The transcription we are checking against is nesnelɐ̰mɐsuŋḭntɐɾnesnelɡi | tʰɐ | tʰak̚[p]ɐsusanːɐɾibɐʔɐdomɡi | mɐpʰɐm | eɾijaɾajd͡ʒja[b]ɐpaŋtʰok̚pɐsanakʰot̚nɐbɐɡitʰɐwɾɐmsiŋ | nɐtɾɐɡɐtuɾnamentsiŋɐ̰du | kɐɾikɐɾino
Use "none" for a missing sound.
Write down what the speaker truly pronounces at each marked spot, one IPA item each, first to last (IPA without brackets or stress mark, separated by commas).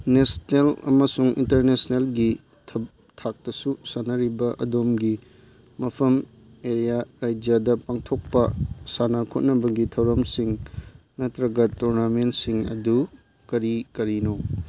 t, d